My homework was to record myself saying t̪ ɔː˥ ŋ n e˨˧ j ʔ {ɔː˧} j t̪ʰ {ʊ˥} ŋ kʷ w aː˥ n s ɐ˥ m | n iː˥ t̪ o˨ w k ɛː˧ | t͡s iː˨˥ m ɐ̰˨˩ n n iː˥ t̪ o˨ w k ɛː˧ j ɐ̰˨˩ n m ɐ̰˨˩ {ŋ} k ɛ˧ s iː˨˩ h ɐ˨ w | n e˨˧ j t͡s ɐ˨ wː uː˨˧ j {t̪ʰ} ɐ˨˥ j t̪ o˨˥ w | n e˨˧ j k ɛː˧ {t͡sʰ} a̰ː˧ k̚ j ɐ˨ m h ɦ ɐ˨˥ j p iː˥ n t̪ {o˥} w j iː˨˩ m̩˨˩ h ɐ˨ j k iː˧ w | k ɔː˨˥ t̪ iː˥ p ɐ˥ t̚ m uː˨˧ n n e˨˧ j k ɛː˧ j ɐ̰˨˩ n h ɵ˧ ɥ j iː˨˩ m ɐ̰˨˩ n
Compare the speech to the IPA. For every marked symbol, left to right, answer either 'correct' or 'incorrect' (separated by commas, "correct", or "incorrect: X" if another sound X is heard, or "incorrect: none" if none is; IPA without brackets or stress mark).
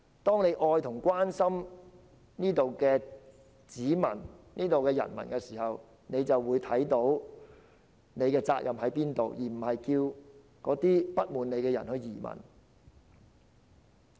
correct, incorrect: ʊ˨˩, incorrect: n, correct, incorrect: t͡s, incorrect: o˨